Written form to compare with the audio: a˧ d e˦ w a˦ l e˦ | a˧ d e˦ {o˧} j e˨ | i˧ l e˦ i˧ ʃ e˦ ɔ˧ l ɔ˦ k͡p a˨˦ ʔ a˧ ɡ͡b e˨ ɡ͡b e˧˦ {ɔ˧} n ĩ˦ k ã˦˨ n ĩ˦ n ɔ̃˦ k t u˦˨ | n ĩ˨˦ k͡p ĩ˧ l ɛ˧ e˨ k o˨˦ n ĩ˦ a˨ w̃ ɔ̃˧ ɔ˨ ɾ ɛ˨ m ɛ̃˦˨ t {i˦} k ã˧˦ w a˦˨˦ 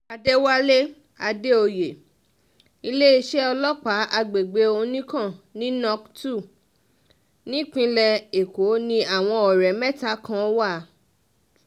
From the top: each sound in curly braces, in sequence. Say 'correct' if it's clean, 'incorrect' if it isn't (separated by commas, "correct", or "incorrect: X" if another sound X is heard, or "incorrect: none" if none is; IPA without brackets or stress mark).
correct, incorrect: o˧, incorrect: a˦